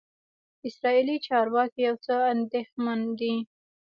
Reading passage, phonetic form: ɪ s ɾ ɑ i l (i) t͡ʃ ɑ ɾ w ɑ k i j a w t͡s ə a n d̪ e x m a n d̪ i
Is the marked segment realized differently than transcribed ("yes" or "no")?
no